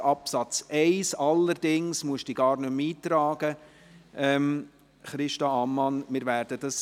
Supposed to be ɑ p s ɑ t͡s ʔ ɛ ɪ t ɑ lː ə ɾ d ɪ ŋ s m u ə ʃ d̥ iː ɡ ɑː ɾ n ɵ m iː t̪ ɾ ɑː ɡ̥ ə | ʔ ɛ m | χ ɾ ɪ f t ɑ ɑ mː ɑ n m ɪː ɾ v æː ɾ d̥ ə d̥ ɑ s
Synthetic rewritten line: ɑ p s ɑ t͡s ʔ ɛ ɪ s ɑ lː ə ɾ d ɪ ŋ s m u ə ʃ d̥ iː ɡ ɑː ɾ n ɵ m iː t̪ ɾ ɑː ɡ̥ ə | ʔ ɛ m | χ ɾ ɪ ʃ t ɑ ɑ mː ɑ n m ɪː ɾ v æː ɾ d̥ ə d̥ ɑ s